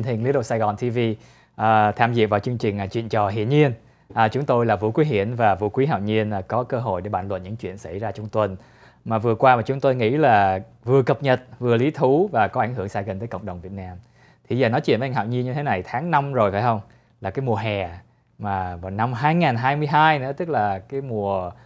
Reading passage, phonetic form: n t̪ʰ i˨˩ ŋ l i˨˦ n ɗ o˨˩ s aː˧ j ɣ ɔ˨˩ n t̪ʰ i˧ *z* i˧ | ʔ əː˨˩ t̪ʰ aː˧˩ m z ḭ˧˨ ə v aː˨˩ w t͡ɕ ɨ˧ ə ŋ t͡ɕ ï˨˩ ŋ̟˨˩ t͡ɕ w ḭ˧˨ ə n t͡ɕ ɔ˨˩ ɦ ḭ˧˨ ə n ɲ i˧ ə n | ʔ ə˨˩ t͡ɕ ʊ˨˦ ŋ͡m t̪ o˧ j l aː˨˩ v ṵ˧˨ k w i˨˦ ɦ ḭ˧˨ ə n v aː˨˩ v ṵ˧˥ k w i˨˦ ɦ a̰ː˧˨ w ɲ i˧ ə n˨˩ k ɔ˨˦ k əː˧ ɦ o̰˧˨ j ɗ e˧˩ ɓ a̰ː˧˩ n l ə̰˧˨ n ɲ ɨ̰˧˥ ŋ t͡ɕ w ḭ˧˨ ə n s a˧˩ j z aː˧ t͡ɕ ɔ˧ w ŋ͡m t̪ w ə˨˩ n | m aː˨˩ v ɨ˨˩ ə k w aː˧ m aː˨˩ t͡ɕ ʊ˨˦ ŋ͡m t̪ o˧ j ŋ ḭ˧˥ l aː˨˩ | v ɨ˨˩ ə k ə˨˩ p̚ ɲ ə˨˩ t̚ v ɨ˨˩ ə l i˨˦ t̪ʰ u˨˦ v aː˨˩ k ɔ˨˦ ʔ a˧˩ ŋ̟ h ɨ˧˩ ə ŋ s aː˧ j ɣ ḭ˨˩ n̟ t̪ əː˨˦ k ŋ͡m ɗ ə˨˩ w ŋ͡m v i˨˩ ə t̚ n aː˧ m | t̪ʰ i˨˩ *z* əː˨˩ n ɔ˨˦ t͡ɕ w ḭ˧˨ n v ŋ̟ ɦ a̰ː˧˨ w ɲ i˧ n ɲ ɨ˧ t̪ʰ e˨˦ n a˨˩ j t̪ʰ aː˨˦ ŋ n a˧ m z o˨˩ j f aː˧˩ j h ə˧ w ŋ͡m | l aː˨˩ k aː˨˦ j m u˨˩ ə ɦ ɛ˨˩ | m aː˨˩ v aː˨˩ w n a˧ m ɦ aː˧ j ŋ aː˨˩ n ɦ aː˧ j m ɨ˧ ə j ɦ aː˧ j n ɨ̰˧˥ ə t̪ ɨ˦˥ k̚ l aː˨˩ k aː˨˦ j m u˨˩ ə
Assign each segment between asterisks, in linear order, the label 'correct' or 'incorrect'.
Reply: incorrect: v, correct

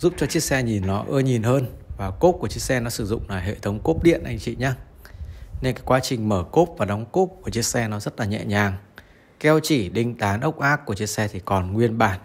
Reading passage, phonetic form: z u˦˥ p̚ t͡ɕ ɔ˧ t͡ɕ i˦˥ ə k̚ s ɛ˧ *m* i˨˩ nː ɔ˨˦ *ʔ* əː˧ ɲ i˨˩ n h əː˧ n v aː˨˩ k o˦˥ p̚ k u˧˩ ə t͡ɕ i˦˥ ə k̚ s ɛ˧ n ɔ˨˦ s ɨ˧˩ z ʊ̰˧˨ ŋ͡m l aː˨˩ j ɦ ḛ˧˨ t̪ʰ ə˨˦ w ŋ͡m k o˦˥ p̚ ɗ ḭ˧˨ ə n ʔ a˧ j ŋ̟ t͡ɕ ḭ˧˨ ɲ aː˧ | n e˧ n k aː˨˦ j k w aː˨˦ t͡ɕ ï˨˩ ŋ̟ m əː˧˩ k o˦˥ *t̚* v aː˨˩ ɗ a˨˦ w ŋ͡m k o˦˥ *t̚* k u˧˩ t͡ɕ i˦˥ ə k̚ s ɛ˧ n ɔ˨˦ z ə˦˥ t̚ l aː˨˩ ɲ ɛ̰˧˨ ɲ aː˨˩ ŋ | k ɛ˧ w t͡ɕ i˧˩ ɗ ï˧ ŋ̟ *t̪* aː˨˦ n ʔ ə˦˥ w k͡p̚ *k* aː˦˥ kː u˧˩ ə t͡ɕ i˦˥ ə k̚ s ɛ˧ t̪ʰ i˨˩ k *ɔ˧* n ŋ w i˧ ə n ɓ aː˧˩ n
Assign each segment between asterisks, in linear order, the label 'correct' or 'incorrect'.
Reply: incorrect: ɲ, correct, incorrect: p̚, incorrect: p̚, correct, incorrect: ʔ, incorrect: ɔ˨˩

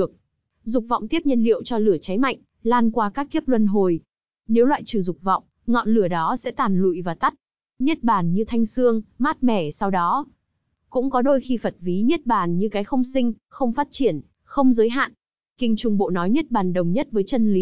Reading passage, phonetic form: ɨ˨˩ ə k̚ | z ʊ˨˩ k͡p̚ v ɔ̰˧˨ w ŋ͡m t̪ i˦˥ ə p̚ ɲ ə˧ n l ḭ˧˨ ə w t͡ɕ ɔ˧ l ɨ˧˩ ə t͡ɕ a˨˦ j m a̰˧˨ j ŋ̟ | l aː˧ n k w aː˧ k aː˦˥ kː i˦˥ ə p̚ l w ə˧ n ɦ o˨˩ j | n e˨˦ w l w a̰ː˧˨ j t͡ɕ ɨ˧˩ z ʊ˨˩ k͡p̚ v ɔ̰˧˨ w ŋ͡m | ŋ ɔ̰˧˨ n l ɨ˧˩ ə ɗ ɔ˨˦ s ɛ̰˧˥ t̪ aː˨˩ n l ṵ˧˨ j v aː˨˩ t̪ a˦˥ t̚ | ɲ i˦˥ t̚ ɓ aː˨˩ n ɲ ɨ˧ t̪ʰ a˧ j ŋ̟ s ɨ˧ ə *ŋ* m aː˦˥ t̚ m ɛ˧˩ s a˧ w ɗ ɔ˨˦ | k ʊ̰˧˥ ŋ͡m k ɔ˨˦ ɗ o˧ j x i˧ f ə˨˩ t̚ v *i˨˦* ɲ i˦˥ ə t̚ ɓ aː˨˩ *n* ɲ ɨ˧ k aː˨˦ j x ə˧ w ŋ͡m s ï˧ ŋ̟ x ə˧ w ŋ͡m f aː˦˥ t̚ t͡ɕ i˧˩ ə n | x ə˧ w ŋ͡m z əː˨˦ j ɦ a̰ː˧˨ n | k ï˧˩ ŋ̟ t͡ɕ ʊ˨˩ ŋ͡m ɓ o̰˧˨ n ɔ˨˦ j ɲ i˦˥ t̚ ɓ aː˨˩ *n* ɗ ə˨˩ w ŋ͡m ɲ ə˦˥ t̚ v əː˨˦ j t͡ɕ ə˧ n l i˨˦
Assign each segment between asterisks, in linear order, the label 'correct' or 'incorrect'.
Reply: correct, correct, correct, correct

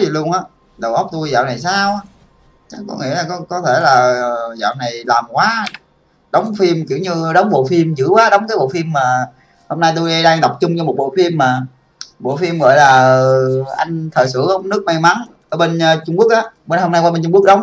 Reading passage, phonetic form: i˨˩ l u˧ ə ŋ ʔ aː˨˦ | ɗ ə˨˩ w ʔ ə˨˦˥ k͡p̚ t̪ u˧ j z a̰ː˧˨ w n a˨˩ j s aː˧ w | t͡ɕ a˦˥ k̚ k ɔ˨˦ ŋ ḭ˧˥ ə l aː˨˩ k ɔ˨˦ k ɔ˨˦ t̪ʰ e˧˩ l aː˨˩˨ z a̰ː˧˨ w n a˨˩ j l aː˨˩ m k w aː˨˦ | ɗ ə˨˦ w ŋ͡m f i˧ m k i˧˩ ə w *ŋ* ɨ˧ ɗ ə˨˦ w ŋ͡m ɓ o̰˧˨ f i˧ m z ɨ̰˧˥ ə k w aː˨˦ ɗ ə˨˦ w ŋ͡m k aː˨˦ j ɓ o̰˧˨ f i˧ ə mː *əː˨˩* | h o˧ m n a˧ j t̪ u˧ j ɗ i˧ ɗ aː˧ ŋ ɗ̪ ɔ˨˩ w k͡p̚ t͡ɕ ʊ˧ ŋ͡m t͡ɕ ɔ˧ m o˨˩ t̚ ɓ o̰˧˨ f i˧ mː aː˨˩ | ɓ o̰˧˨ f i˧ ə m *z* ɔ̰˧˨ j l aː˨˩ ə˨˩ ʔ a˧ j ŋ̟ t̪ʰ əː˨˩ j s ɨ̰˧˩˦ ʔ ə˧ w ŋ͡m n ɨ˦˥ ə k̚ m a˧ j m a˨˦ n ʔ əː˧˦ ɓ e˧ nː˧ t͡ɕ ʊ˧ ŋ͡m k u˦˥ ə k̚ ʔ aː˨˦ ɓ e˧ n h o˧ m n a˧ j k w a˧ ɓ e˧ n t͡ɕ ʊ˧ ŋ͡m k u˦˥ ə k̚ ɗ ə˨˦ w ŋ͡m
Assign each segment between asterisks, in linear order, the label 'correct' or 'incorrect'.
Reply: incorrect: ɲ, incorrect: aː˨˩, incorrect: ɣ

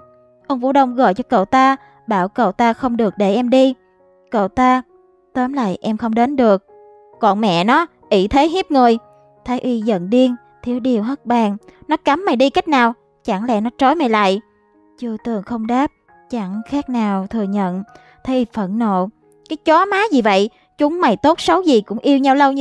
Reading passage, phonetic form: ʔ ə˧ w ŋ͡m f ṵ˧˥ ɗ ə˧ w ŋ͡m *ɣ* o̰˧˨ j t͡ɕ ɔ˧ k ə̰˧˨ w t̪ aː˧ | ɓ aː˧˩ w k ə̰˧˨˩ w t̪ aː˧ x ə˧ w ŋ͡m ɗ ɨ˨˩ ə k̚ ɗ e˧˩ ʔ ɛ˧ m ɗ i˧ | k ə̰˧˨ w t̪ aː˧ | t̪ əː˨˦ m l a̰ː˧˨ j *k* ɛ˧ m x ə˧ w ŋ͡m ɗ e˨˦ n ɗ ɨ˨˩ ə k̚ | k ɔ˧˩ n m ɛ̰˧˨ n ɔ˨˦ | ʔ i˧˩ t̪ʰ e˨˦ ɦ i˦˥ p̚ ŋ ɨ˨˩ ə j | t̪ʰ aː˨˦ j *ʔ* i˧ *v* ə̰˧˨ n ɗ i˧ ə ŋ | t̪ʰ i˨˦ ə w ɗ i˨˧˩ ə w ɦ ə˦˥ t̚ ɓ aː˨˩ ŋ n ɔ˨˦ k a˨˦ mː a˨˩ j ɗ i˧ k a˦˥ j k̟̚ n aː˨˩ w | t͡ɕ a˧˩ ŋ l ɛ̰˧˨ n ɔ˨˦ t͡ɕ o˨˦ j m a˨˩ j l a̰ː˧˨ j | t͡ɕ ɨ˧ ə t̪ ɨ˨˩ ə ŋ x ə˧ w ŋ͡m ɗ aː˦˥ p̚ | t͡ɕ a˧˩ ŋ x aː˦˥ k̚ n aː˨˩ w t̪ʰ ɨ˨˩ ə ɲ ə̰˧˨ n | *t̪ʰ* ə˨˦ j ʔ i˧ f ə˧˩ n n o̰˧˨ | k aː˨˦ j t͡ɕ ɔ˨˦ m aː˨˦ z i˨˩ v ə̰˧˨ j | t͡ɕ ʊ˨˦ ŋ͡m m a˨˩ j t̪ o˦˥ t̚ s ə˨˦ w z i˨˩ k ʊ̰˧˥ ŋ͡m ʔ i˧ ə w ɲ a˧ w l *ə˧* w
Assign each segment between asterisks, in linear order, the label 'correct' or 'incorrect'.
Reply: correct, incorrect: ʔ, correct, incorrect: z, correct, correct

